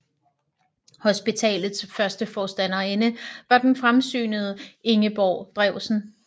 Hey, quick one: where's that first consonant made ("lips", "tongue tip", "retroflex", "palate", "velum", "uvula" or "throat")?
throat